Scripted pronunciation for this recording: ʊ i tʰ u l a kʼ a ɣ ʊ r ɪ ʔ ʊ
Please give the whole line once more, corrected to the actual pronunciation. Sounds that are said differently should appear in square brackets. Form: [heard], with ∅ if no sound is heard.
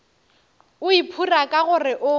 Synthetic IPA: ʊ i [pʰ] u [r] a kʼ a ɣ ʊ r ɪ ʔ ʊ